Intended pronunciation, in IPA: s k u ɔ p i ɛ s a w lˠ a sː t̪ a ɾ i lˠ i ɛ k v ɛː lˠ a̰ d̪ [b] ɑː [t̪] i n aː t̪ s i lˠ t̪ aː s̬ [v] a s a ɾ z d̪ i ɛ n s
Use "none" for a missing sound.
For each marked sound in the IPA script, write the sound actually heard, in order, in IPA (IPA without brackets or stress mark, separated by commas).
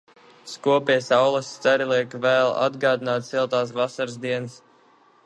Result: ɡ, d̪, v